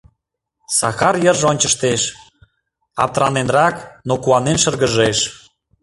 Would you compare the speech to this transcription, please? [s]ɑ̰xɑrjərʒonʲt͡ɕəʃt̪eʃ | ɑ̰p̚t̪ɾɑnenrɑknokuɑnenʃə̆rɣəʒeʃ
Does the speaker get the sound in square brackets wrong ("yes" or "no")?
no